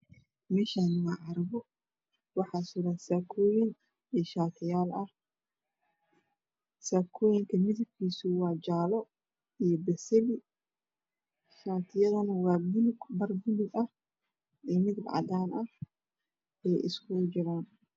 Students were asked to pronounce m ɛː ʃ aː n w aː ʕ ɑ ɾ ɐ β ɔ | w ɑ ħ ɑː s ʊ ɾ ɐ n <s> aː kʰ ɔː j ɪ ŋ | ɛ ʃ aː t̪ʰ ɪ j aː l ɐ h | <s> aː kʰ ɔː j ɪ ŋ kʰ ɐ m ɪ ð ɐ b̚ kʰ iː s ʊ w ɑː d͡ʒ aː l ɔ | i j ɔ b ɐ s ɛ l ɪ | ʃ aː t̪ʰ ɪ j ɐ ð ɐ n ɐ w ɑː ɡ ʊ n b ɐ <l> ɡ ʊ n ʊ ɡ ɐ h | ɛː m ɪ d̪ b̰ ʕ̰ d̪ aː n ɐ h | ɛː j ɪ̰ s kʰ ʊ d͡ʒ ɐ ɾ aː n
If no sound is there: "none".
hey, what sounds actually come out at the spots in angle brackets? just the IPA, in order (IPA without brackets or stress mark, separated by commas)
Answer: s, s, r